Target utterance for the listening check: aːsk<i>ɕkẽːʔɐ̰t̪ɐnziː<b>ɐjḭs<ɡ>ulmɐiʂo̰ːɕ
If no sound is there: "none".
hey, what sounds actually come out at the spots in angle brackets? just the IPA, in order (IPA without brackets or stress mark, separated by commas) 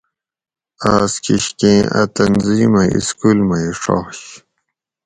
i, m, k